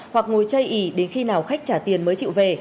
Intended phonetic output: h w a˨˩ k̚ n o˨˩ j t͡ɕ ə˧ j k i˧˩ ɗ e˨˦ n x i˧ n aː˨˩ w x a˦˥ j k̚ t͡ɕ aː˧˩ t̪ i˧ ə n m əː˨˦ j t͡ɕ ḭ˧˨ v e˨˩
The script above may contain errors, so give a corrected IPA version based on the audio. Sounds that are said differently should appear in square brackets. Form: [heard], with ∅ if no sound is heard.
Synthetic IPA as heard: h w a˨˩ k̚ [ŋ] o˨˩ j t͡ɕ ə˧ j [ʔ] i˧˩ ɗ e˨˦ n x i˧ n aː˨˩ w x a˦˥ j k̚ t͡ɕ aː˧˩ t̪ [i˨˩] ə n m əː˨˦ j t͡ɕ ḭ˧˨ v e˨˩

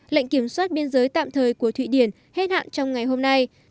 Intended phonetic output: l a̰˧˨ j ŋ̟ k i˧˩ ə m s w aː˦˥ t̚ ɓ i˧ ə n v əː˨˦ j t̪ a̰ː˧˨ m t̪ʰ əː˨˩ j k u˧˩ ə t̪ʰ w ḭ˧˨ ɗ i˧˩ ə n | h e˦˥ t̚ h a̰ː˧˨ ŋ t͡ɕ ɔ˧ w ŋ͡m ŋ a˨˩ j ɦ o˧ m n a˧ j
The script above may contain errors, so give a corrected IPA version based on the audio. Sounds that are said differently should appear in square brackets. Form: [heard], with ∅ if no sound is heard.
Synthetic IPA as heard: l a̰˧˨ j ŋ̟ k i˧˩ ə m s w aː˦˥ t̚ ɓ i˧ ə n [z] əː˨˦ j t̪ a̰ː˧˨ m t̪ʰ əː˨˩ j k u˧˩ ə t̪ʰ w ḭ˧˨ ɗ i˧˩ ə n | h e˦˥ t̚ h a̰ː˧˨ [n] t͡ɕ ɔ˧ w ŋ͡m ŋ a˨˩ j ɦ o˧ m n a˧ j

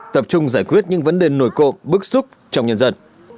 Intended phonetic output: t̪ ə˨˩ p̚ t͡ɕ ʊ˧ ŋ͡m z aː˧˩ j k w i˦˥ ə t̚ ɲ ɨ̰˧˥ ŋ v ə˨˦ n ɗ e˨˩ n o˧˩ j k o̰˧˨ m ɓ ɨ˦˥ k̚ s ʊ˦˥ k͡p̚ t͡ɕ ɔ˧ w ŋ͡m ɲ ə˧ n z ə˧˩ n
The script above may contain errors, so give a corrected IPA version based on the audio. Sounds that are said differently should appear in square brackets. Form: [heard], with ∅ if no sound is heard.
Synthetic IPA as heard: t̪ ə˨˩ p̚ t͡ɕ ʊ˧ ŋ͡m z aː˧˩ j k w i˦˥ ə t̚ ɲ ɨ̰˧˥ ŋ v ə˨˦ n ɗ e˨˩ n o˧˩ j k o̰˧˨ m ɓ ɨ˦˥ k̚ s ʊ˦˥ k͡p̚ t͡ɕ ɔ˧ w ŋ͡m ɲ ə˧ n z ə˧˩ n

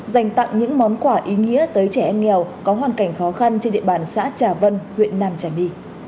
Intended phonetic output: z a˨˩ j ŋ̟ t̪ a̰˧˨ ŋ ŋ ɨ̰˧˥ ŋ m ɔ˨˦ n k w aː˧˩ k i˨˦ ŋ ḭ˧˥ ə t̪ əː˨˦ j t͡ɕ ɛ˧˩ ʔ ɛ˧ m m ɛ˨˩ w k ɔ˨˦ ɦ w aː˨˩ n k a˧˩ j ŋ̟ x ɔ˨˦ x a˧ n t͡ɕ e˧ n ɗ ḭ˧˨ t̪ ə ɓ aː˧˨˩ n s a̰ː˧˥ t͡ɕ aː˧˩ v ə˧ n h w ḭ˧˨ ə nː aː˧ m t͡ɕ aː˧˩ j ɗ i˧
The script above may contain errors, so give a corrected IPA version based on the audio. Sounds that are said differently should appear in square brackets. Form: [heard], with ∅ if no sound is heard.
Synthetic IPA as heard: z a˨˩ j ŋ̟ t̪ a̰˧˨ ŋ [ɲ] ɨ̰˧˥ ŋ m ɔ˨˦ n k w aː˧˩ [ʔ] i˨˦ ŋ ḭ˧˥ ə t̪ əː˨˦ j t͡ɕ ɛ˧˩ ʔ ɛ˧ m [ŋ] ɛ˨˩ w k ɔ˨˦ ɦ w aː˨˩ n k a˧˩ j ŋ̟ x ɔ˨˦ x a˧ n t͡ɕ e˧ n ɗ ḭ˧˨ [∅] ə ɓ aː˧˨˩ n s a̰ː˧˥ t͡ɕ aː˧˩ v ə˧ n h w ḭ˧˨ ə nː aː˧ m t͡ɕ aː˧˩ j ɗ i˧

